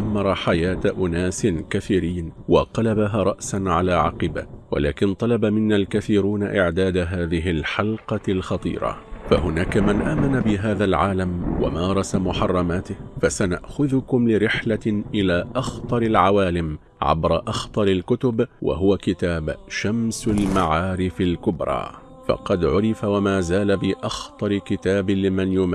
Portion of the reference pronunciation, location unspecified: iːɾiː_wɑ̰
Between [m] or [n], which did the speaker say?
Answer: n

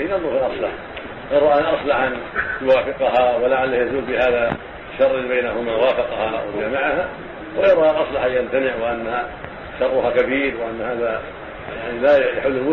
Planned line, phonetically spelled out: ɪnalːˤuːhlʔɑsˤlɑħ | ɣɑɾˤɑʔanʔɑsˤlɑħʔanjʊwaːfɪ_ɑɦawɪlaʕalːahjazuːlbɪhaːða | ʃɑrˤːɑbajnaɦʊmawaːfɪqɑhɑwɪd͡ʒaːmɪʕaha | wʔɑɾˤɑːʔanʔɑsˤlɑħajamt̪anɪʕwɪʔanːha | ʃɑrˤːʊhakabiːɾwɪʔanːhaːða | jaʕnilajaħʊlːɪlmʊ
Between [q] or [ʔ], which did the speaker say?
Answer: q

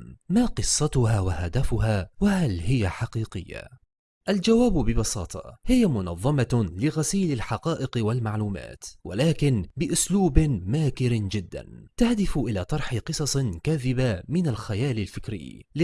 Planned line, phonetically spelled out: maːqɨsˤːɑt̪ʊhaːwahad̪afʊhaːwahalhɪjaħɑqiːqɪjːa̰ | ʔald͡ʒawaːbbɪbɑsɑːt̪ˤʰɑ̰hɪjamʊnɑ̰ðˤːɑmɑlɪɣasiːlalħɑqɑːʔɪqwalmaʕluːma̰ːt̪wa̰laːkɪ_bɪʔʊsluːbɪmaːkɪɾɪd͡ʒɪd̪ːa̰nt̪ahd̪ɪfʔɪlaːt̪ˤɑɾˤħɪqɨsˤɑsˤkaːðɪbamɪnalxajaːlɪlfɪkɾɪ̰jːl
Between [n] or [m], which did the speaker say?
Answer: n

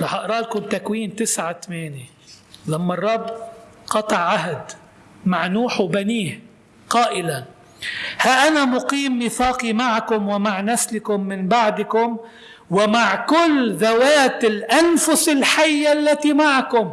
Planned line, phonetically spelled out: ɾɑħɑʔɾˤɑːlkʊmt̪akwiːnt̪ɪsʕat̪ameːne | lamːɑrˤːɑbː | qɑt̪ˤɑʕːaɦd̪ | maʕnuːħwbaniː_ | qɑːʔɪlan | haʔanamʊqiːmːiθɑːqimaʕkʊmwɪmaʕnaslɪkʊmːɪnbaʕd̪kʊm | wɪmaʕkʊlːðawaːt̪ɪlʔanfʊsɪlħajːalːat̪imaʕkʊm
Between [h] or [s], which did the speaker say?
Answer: h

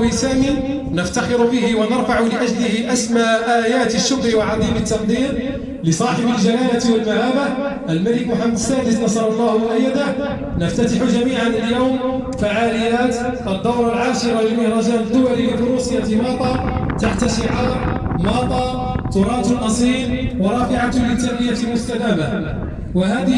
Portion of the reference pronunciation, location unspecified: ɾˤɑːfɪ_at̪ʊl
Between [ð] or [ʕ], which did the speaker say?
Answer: ʕ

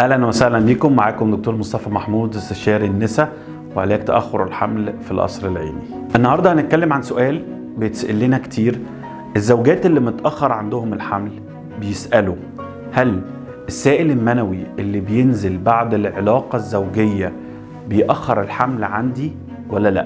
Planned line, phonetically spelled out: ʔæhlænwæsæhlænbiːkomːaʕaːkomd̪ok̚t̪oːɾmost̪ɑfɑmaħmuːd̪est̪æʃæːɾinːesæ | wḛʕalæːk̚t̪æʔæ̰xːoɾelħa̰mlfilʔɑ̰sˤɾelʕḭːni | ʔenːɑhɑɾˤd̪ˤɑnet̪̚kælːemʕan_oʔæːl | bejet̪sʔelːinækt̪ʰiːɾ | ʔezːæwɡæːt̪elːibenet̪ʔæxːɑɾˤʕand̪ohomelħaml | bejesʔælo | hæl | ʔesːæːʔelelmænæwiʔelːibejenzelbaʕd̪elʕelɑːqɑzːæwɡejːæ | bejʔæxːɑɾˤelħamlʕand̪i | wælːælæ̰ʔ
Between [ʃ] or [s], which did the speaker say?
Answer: s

